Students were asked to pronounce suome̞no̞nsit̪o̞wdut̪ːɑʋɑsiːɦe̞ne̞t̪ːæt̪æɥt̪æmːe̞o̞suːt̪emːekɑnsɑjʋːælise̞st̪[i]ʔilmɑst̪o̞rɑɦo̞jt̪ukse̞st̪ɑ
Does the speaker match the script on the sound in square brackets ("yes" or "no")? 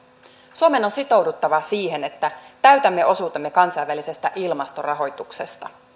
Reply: no